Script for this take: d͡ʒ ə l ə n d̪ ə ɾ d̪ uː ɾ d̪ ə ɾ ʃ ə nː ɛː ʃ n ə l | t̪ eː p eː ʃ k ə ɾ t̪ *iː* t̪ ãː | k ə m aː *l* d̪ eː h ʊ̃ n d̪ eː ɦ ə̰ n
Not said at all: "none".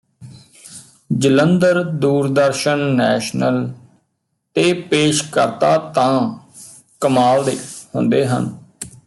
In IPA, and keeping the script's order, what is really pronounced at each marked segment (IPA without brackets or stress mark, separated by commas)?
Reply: aː, l